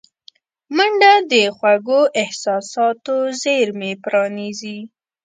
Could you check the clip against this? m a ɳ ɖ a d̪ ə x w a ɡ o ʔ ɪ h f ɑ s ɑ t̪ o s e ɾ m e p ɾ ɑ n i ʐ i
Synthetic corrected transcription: m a ɳ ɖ a d̪ ə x w a ɡ o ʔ ɪ h s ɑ s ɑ t̪ o z e ɾ m e p ɾ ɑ n i z i

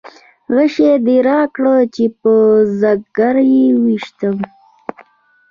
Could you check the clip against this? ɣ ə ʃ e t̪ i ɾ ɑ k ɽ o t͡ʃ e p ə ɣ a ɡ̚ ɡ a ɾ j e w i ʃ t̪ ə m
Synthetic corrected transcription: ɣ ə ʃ e d̪ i ɾ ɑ k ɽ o t͡ʃ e p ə z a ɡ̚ ɡ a ɾ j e w i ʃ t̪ ə m

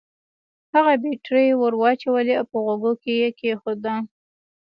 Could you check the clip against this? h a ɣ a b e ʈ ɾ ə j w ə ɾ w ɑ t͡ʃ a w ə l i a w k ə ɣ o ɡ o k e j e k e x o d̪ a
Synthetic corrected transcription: h a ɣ a b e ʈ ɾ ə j w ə ɾ w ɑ t͡ʃ a w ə l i a w p ə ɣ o ɡ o k e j e k e x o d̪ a

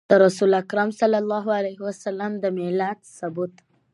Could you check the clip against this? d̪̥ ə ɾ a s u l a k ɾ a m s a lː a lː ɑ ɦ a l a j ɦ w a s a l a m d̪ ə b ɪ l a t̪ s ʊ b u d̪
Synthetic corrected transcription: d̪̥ ə ɾ a s u l a k ɾ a m s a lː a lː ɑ ɦ a l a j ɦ w a s a l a m d̪ ə m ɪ l a t̪ s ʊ b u t̪

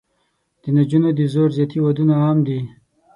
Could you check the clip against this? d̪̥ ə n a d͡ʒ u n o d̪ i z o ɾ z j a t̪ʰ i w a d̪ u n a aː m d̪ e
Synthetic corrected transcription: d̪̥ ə n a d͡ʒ u n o d̪ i z o ɾ z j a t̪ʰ i w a d̪ u n a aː m d̪ i

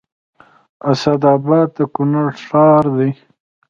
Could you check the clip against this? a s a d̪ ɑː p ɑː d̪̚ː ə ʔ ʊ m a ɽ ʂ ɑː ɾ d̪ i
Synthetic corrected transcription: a s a d̪ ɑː b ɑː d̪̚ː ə k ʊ n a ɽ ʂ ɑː ɾ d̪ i

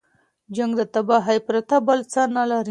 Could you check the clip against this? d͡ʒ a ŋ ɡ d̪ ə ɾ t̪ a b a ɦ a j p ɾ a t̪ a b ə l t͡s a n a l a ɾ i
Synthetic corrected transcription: d͡ʒ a ŋ ɡ d̪ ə t̪ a b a ɦ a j p ɾ a t̪ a b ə l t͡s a n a l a ɾ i

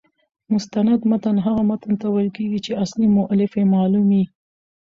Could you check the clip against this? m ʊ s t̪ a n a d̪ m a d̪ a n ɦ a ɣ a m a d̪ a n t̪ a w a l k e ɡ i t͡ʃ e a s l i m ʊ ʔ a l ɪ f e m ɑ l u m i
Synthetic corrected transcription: m ʊ s t̪ a n a d̪ m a t̪ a n ɦ a ɣ a m a t̪ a n t̪ a w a l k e ɡ i t͡ʃ e a s l i m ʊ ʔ a l ɪ f e m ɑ l u m i

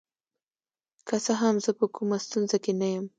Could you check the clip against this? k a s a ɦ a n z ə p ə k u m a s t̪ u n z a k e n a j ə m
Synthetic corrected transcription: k a s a ɦ a m z ə p ə k u m a s t̪ u n z a k e n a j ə m

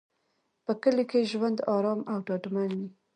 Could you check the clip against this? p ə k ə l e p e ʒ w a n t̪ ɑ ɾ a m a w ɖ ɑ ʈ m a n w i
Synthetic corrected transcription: p ə k ə l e k e ʒ w a n d̪ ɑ ɾ ɑ m a w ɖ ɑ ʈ m a n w i

